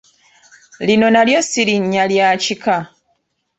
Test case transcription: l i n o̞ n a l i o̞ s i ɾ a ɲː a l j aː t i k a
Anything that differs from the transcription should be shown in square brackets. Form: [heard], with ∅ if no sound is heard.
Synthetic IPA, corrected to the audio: l i n o̞ n a l [j] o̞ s i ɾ [i] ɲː a l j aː [c] i k a